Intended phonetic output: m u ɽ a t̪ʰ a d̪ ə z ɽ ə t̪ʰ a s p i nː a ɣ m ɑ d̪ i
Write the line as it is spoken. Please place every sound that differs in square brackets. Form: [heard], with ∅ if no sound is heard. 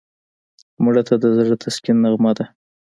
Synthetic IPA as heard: m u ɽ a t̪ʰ a d̪ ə z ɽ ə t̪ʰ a s [k] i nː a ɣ m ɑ d̪ [a]